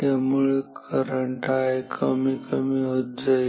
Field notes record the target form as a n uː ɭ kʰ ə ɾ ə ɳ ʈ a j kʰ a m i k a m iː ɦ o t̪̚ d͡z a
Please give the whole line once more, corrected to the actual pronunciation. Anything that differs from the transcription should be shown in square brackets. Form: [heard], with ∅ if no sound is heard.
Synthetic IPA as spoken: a [m] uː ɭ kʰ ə ɾ ə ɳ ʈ a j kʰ [ə] m i k [ə] m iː ɦ o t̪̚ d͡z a